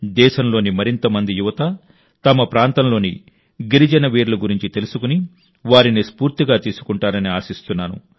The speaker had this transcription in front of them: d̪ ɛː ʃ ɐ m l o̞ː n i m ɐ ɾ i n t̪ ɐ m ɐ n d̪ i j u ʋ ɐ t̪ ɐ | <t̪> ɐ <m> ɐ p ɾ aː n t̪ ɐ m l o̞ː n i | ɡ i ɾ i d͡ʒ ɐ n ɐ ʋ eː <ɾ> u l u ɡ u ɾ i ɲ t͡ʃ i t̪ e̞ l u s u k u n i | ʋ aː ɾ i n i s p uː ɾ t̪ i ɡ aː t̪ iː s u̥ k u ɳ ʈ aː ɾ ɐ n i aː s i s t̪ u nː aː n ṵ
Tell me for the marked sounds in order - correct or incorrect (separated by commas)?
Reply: correct, correct, correct